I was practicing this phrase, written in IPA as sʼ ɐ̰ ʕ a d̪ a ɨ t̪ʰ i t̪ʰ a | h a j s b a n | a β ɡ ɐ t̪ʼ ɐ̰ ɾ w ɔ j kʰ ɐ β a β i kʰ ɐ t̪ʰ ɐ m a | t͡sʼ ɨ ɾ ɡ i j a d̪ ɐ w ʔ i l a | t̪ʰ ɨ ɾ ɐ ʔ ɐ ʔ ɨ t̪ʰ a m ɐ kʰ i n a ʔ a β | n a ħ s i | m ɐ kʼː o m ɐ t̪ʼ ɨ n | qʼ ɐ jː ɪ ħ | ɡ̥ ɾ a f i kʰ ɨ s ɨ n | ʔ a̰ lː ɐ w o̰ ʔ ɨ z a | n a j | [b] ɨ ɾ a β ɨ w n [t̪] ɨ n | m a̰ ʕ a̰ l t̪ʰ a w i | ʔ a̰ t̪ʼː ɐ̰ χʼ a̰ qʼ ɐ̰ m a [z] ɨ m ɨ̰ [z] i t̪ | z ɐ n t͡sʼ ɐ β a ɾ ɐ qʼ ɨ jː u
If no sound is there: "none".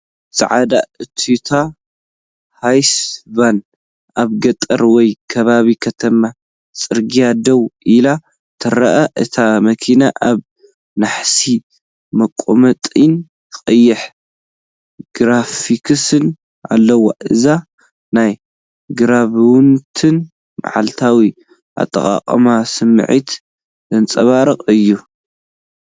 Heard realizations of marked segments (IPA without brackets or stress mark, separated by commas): ɡ, t̪ʰ, s, ʕ